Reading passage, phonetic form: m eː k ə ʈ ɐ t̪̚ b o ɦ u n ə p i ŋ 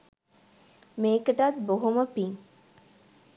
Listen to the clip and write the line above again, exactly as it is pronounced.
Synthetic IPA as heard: m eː k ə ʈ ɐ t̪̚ b o ɦ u m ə p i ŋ